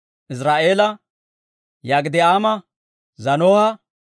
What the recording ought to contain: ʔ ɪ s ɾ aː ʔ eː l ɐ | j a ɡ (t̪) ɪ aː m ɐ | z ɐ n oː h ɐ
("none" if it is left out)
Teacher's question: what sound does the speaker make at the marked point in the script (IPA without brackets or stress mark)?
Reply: d̪